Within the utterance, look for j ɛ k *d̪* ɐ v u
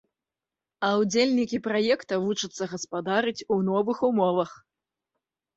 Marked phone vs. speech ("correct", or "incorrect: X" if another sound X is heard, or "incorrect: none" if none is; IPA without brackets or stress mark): incorrect: t̪